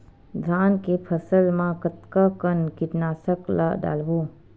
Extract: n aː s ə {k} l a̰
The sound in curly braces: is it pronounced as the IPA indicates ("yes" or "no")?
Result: yes